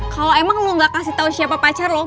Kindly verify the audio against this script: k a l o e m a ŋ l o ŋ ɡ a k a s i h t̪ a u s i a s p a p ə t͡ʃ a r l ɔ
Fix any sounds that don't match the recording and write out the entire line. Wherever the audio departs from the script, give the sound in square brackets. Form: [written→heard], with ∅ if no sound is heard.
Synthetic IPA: k a l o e m a ŋ l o ŋ ɡ a k a s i h t̪ a u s i a [s→∅] p a p [ə→a] t͡ʃ a r l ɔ